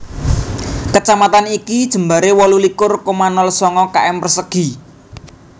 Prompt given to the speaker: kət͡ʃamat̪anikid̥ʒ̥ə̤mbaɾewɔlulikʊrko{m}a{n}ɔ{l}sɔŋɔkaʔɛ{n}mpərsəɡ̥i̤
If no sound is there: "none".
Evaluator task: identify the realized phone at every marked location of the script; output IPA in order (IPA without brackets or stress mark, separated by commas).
m, n, l, none